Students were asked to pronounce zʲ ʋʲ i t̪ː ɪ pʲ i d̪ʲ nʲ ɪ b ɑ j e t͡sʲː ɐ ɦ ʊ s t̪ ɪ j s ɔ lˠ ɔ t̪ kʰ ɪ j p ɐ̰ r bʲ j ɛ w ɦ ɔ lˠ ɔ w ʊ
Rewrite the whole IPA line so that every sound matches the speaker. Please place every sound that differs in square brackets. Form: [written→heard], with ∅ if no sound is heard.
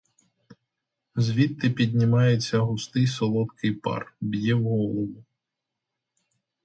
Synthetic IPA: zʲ ʋʲ i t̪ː ɪ pʲ i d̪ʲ nʲ ɪ [b→m] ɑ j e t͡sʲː ɐ ɦ ʊ s t̪ ɪ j s ɔ lˠ ɔ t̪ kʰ ɪ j p [ɐ̰→ɑ̰] r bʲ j ɛ w ɦ ɔ lˠ ɔ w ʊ